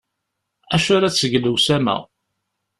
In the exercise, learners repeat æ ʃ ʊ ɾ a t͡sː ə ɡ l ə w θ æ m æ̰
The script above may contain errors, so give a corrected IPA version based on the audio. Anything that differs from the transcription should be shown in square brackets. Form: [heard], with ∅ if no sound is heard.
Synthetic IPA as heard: æ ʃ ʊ ɾ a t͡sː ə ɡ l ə w [s] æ m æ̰